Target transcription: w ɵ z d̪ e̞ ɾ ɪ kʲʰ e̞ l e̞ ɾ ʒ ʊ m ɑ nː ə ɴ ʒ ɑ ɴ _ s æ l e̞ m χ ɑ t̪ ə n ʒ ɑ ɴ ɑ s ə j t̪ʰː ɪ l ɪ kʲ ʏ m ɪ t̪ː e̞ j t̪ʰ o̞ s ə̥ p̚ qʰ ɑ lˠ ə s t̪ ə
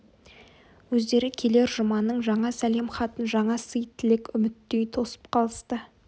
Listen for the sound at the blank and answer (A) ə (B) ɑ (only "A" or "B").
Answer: B